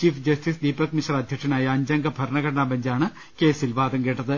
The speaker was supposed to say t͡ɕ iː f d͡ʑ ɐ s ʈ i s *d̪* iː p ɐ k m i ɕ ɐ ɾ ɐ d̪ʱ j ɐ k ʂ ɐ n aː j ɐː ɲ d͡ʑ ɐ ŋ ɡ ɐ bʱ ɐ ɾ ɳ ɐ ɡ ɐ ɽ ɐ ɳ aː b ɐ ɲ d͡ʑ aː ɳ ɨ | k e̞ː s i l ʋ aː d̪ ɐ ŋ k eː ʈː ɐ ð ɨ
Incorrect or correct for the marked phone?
correct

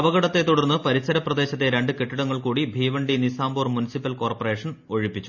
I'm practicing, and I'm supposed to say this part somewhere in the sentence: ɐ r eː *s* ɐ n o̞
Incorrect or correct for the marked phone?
incorrect: ʂ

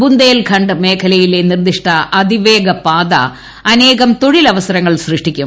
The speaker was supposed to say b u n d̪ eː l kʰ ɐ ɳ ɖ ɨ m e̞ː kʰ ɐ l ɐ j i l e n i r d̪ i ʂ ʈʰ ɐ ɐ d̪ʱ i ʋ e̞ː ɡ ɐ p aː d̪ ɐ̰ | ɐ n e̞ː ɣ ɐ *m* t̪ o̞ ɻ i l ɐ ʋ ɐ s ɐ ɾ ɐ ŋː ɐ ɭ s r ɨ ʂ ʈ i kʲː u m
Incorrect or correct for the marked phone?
correct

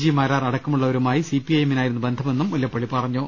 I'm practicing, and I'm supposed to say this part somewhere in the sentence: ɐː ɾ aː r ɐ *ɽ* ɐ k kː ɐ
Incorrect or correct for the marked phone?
correct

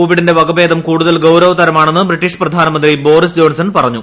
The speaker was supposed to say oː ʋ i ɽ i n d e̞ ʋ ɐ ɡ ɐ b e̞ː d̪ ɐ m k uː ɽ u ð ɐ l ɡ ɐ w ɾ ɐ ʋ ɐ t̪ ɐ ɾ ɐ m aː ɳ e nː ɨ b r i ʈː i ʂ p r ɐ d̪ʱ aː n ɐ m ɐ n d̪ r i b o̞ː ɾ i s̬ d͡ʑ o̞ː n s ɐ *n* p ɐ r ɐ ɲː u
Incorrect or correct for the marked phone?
correct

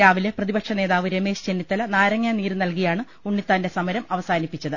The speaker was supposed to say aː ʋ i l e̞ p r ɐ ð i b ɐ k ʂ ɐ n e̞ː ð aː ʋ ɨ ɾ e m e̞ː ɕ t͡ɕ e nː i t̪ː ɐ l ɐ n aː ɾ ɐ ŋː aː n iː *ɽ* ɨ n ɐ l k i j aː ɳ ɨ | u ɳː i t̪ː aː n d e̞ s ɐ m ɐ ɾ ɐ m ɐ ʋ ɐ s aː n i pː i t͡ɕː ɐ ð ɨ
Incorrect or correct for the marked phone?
incorrect: ɾ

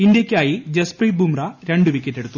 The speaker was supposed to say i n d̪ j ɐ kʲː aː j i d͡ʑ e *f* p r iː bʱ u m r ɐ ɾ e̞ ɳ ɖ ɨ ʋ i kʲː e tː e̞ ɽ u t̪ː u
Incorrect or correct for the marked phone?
incorrect: s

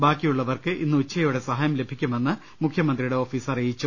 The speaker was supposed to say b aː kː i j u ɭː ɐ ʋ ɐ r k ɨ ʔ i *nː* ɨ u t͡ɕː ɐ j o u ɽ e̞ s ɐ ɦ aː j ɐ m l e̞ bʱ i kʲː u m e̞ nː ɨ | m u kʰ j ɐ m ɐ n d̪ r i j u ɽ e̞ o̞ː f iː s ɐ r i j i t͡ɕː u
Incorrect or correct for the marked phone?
correct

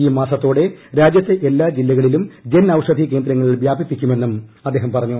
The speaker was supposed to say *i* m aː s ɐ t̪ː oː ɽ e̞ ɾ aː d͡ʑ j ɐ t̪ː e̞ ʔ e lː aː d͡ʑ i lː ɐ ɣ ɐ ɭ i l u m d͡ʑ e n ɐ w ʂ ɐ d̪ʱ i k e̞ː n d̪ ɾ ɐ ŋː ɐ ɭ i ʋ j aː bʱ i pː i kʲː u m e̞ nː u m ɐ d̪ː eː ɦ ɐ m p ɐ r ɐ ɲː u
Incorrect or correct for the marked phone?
incorrect: iː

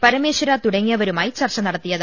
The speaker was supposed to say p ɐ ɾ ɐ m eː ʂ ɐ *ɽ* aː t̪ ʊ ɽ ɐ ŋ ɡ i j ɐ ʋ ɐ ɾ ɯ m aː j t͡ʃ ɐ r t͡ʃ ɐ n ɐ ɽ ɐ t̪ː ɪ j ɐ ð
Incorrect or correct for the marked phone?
incorrect: ɾ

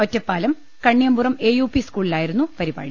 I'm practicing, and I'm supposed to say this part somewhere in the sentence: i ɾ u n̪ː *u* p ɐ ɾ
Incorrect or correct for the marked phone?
correct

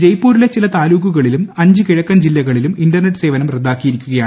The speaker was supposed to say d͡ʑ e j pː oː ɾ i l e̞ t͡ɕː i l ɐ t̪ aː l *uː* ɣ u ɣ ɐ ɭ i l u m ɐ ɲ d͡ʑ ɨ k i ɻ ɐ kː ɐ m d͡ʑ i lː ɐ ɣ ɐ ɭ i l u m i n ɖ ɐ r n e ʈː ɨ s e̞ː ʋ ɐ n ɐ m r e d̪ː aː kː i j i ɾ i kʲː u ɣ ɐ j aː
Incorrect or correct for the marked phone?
correct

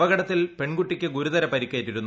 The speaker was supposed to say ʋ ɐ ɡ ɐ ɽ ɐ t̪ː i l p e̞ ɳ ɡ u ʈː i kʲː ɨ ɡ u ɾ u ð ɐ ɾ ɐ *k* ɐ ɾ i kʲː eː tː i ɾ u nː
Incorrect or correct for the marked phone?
incorrect: p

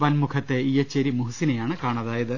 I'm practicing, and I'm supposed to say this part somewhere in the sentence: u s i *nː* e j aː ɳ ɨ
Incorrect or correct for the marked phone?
incorrect: n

